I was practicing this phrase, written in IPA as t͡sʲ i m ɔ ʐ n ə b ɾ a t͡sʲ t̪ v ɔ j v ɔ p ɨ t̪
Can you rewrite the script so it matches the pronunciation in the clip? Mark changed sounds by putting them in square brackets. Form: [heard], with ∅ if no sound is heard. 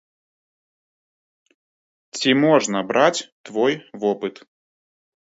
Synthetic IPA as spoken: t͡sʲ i m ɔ ʐ n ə b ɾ a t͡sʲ t̪ v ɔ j v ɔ p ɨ t̪

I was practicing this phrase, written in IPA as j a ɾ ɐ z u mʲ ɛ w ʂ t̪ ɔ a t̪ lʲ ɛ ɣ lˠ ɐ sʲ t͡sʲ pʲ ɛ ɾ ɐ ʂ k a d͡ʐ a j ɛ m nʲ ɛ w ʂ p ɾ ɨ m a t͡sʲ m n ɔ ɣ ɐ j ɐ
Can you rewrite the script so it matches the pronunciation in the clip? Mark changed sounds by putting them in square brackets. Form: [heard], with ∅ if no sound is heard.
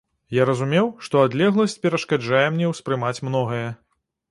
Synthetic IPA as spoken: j a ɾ ɐ z u mʲ ɛ w ʂ t̪ ɔ a [d̪] lʲ ɛ ɣ lˠ ɐ sʲ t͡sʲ pʲ ɛ ɾ ɐ ʂ k a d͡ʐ a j ɛ m nʲ ɛ w [s] p ɾ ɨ m a t͡sʲ m n ɔ ɣ ɐ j ɐ

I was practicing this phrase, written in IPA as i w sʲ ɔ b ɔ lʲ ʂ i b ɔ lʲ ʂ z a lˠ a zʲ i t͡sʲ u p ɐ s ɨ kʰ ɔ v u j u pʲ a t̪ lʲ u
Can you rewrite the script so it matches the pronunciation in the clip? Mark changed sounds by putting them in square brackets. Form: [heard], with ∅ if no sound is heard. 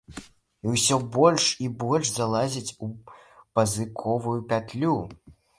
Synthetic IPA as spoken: i w sʲ ɔ b ɔ lʲ ʂ i b ɔ lʲ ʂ z a lˠ a zʲ i t͡sʲ u p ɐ [z] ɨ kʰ ɔ v u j u pʲ a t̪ lʲ u

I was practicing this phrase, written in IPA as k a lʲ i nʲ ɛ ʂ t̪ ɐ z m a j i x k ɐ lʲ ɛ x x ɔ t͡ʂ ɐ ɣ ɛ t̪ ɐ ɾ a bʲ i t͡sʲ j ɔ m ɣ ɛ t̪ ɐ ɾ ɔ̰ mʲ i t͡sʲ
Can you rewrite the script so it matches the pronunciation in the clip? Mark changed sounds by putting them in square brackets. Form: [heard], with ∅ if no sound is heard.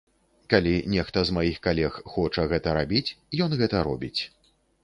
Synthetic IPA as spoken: k a lʲ i nʲ ɛ [x] t̪ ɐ z m a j i x k [a] lʲ ɛ x x ɔ t͡ʂ ɐ ɣ ɛ t̪ ɐ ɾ a bʲ i t͡sʲ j ɔ [n] ɣ ɛ t̪ ɐ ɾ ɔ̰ [bʲ] i t͡sʲ

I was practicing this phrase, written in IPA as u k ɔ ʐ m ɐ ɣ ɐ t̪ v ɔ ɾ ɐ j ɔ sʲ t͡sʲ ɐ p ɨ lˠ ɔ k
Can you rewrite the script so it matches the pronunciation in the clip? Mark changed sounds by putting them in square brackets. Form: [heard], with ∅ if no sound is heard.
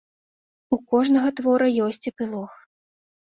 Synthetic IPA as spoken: u k ɔ ʐ [n] ɐ ɣ ɐ t̪ v ɔ ɾ ɐ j ɔ sʲ t͡sʲ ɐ p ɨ lˠ ɔ [x]

